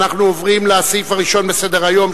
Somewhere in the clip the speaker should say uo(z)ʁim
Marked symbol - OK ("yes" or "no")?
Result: no